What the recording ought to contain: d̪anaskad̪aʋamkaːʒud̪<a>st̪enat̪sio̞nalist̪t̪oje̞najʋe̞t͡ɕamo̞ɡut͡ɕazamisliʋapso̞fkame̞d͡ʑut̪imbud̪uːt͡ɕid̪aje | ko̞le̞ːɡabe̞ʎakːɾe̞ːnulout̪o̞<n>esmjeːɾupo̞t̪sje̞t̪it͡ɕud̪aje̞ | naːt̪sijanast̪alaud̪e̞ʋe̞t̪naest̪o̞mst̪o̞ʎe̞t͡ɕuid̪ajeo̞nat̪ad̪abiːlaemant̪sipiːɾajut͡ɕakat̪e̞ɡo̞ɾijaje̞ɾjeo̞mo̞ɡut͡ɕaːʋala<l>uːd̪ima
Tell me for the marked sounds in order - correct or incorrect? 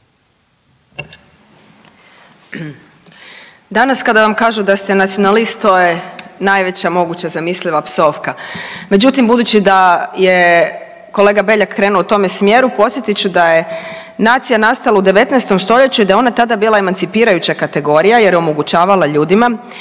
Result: correct, incorrect: m, incorrect: ʎ

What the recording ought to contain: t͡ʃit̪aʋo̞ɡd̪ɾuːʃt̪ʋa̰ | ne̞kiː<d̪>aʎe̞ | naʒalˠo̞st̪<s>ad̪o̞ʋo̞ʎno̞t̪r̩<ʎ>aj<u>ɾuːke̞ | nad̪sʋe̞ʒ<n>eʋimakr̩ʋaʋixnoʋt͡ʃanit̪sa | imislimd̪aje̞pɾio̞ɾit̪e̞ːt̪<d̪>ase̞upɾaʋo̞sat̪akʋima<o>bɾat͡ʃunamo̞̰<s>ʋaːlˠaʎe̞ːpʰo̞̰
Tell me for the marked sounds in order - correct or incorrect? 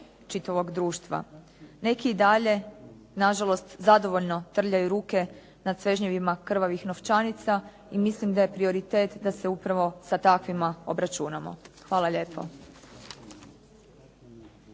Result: correct, incorrect: z, correct, correct, incorrect: ɲ, correct, correct, incorrect: x

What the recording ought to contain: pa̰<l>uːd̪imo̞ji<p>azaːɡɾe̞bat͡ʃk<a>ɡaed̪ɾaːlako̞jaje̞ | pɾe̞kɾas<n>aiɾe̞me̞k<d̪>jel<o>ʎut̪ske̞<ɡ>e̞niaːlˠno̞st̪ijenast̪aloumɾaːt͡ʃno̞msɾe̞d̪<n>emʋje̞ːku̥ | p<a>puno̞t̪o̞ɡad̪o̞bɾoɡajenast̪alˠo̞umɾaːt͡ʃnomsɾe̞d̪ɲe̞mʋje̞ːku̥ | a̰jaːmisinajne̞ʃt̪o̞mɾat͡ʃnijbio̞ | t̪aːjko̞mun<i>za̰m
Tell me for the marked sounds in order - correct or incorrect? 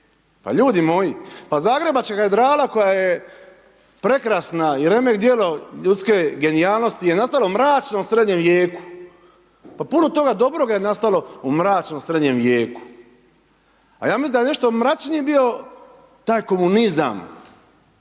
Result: incorrect: ʎ, correct, correct, correct, correct, correct, correct, incorrect: ɲ, correct, correct

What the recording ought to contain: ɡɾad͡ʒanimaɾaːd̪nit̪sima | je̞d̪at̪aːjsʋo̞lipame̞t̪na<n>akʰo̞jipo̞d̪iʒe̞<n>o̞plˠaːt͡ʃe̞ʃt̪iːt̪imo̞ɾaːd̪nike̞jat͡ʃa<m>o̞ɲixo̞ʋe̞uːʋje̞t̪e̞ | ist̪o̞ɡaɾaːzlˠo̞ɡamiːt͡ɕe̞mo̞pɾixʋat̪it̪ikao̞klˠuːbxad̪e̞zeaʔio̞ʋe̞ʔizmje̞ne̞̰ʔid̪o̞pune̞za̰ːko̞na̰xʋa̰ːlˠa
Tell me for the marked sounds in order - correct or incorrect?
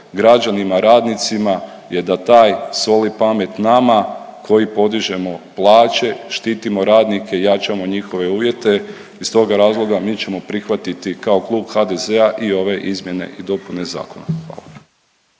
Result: incorrect: m, incorrect: m, correct

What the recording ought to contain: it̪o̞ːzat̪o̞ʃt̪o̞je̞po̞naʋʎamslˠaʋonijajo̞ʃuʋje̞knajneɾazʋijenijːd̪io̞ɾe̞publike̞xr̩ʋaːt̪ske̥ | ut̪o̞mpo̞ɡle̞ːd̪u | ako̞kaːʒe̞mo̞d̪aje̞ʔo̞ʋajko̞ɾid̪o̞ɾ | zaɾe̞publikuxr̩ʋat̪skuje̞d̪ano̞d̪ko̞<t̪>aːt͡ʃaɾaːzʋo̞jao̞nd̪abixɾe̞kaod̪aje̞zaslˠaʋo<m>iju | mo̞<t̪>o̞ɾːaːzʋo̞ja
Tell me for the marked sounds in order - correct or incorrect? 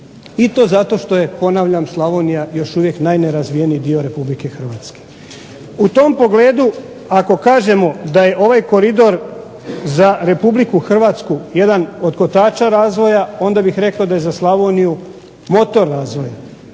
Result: correct, incorrect: n, correct

